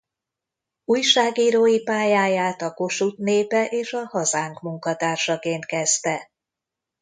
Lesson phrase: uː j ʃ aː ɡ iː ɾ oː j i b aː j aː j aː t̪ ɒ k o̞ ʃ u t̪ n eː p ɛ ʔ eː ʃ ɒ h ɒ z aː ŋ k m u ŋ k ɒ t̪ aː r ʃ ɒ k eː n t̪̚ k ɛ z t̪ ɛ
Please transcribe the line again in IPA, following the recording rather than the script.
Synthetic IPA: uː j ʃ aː ɡ iː ɾ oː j i p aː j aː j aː t̪ ɒ k o̞ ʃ u t̪ n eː p ɛ ʔ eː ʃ ɒ h ɒ z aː ŋ k m u ŋ k ɒ t̪ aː r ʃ ɒ k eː n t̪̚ k ɛ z t̪ ɛ